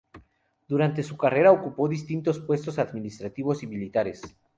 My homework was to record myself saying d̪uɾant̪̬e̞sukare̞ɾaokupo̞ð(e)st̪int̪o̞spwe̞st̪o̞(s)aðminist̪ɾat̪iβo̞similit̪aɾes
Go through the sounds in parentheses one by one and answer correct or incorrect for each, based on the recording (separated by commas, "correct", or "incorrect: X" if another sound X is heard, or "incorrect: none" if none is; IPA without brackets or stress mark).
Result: incorrect: i, correct